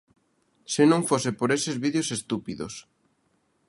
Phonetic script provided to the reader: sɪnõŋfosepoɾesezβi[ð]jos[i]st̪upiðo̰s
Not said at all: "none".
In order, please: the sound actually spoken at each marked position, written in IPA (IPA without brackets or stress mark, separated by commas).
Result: ð, e